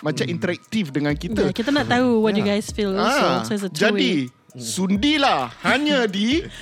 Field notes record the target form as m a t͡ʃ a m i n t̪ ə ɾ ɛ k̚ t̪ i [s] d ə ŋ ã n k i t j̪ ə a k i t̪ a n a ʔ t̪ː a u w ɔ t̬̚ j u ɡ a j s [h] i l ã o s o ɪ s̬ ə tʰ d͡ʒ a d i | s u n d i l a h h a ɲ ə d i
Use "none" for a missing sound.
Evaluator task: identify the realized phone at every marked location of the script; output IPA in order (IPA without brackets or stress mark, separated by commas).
f, f